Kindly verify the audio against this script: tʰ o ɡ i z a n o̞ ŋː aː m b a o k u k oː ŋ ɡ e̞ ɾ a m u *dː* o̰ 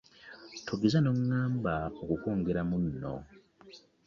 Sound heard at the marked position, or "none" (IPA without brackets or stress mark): nː